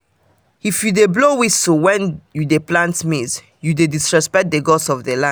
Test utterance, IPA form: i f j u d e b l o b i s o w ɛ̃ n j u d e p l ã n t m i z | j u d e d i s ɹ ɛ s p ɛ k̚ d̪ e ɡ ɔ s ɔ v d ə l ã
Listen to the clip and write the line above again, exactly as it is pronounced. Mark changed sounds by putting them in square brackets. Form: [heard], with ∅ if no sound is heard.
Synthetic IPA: i f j u d e b l o [w] i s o w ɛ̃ n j u d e p l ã n t m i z | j u d e d i s ɹ ɛ s p ɛ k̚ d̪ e ɡ ɔ s ɔ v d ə l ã